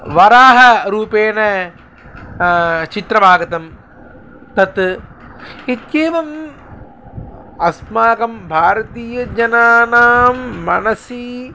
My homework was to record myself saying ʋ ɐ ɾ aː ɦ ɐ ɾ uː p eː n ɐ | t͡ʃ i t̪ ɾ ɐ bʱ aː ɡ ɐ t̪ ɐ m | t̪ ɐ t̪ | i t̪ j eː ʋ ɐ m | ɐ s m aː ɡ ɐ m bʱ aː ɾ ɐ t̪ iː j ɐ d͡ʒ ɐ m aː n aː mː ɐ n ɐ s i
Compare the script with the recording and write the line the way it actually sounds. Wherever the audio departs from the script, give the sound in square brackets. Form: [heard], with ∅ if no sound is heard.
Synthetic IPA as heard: ʋ ɐ ɾ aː ɦ ɐ ɾ uː p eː n ɐ | t͡ʃ i t̪ ɾ ɐ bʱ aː ɡ ɐ t̪ ɐ m | t̪ ɐ t̪ | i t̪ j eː ʋ ɐ m | ɐ s m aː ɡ ɐ m bʱ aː ɾ ɐ t̪ iː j ɐ d͡ʒ ɐ [n] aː n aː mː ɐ n ɐ s i